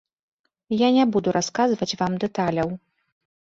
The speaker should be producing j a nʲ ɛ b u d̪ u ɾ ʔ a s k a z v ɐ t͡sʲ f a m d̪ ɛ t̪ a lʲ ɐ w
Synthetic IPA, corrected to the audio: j a nʲ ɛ b u d̪ u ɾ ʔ a s k a z v ɐ t͡sʲ v a m d̪ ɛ t̪ a lʲ ɐ w